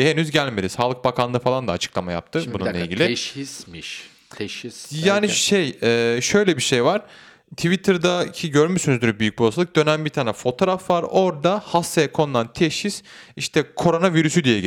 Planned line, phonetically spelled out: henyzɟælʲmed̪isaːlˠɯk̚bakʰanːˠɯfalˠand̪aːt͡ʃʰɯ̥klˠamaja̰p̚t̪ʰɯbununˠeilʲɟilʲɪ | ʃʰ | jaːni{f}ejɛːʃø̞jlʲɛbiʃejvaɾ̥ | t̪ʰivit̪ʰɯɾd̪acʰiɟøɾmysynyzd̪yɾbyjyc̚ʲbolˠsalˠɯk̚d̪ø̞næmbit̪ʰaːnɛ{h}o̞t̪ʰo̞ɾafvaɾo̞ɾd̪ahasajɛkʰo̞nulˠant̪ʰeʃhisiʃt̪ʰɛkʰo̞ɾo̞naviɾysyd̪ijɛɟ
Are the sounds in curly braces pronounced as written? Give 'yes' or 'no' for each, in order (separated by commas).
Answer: no, no